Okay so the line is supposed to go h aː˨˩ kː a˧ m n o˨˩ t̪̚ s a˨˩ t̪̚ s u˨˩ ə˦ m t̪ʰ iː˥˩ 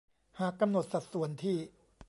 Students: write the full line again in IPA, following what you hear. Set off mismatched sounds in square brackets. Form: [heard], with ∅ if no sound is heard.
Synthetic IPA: h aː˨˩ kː a˧ m n o˨˩ t̪̚ s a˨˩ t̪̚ s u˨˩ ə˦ [n] t̪ʰ iː˥˩

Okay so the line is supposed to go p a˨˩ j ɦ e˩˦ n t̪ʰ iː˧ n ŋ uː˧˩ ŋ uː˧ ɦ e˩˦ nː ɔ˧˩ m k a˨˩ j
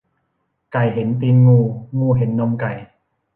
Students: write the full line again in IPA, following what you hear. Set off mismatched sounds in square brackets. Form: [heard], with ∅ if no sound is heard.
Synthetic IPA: [k] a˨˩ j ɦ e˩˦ n [t̪] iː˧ n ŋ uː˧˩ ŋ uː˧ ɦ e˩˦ nː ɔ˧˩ m k a˨˩ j

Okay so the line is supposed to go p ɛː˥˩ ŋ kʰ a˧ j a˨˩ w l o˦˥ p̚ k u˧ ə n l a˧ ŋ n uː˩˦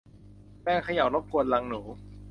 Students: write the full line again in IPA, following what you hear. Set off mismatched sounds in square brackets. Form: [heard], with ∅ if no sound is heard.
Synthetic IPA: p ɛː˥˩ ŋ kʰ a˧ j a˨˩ w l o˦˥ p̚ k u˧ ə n l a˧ ŋ n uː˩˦

